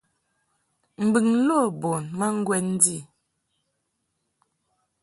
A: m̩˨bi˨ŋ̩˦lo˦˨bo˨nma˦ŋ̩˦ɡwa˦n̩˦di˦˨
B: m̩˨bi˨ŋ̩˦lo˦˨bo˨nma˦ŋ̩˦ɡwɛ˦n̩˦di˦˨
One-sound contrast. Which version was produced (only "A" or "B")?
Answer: B